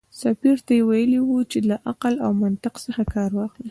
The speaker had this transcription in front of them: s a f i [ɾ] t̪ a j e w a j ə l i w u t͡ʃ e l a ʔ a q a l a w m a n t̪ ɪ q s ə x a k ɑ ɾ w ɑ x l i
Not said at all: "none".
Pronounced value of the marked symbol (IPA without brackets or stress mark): ɾ